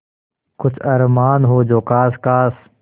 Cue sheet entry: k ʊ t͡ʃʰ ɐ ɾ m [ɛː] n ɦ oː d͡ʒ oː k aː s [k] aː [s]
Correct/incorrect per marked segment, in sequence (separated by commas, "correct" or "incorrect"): incorrect, correct, correct